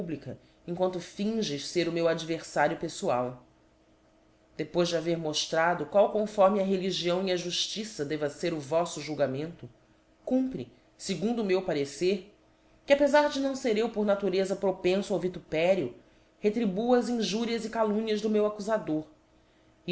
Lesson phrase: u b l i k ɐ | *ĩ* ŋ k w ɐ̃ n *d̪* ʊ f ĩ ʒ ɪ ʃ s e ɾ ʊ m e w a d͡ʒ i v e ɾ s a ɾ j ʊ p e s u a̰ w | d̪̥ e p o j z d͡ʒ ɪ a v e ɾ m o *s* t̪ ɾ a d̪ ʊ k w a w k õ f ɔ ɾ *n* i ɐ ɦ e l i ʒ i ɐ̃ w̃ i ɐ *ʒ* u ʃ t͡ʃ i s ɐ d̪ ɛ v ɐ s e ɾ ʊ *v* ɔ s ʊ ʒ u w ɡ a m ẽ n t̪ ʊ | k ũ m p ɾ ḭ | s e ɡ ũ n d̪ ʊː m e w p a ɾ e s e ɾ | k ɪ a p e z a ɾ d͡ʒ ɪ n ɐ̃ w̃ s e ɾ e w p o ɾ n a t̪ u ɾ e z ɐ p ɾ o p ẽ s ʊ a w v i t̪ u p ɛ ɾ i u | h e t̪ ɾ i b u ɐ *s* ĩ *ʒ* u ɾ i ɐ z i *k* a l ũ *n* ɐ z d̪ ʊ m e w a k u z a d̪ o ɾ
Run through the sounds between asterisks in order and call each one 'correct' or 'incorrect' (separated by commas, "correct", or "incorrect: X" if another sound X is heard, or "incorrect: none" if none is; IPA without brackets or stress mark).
incorrect: ẽ, incorrect: t̪, incorrect: ʃ, incorrect: m, correct, correct, incorrect: z, correct, correct, incorrect: ɲ